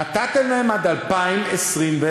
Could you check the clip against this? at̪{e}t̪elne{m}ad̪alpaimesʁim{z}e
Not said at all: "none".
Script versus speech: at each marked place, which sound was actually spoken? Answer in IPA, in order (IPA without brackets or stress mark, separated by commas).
a, m, v